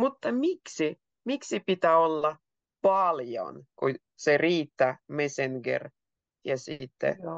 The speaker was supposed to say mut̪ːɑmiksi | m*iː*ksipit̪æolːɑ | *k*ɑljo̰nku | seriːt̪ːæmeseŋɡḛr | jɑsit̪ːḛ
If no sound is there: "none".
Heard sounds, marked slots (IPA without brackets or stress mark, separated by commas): i, p